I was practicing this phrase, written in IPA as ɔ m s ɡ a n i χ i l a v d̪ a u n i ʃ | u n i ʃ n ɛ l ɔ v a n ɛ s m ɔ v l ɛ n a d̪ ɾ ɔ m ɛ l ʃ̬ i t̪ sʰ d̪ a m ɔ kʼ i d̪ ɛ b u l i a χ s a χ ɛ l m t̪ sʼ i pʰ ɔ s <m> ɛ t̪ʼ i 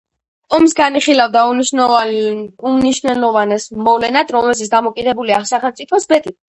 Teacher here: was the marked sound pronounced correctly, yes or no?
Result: no